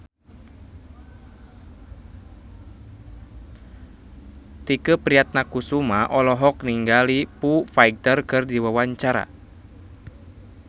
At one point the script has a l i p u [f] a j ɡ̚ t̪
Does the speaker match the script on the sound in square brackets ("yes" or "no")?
yes